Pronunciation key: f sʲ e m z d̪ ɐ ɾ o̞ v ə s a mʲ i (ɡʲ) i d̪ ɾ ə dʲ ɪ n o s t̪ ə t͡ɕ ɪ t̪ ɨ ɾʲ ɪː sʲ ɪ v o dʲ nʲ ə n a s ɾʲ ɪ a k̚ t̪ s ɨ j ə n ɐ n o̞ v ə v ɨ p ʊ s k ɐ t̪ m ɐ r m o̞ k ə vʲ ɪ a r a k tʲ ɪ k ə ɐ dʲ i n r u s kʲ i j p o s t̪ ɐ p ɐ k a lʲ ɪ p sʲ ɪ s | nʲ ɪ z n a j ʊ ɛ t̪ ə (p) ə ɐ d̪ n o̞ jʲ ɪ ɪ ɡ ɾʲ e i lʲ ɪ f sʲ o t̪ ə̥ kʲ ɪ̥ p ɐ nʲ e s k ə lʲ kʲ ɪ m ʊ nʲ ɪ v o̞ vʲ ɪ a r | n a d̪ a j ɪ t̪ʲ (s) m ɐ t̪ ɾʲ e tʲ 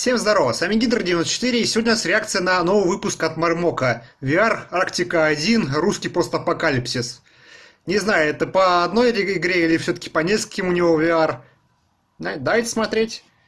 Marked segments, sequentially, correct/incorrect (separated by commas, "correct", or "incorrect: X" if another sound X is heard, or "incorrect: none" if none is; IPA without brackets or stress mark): correct, correct, correct